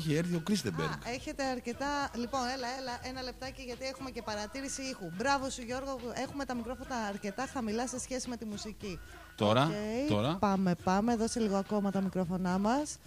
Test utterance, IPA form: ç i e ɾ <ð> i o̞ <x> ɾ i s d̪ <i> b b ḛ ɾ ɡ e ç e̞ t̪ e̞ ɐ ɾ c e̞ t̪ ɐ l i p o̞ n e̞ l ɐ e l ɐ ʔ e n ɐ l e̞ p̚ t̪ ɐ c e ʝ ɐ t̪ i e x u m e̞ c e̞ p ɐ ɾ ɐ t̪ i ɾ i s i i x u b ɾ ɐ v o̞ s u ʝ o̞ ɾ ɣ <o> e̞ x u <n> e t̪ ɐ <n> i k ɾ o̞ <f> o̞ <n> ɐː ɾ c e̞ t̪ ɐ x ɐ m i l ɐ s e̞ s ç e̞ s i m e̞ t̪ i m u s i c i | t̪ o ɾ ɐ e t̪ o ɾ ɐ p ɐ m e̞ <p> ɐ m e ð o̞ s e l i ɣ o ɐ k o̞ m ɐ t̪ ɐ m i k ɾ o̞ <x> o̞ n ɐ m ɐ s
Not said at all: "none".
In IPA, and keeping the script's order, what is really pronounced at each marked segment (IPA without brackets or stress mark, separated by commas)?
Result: θ, k, e, o, m, m, f, n, p, f